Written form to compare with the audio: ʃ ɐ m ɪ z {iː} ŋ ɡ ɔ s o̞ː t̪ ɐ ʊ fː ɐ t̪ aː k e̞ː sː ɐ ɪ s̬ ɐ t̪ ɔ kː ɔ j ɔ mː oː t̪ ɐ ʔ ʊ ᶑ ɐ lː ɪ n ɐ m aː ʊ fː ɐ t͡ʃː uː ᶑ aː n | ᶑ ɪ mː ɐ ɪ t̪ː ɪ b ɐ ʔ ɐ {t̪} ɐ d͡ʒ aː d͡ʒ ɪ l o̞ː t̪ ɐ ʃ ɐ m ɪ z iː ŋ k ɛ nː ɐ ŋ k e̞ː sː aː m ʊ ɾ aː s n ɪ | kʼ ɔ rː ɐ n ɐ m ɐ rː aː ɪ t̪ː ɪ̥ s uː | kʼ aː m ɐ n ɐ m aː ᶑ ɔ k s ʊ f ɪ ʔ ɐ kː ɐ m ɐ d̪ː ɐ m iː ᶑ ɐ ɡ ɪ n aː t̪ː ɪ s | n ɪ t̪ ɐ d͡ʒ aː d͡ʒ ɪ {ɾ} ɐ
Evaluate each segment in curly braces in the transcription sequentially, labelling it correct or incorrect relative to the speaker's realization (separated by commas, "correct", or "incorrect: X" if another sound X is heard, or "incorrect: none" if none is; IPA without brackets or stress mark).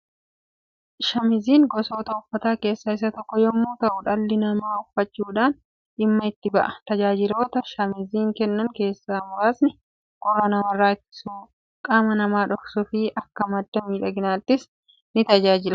correct, correct, incorrect: l